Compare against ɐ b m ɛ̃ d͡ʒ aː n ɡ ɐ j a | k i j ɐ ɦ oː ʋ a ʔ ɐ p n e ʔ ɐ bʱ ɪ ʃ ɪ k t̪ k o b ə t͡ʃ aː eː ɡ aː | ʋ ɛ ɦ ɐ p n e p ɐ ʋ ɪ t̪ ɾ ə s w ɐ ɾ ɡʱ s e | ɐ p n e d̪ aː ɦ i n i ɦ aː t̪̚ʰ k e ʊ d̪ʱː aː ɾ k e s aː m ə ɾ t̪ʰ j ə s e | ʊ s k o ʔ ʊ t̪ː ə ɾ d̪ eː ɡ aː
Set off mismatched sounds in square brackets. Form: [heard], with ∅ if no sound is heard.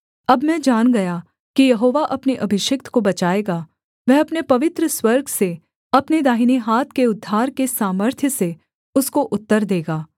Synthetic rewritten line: ɐ b m ɛ̃ d͡ʒ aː n ɡ ɐ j a | k i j ɐ ɦ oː ʋ a ʔ ɐ p n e ʔ ɐ bʱ ɪ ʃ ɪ k t̪ k o b [ɐ] t͡ʃ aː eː ɡ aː | ʋ ɛ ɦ ɐ p n e p ɐ ʋ ɪ t̪ ɾ ə s w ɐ ɾ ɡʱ s e | ɐ p n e d̪ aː ɦ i n i ɦ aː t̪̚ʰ k e ʊ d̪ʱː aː ɾ k e s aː m ə ɾ t̪ʰ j ə s e | ʊ s k o ʔ ʊ t̪ː ə ɾ d̪ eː ɡ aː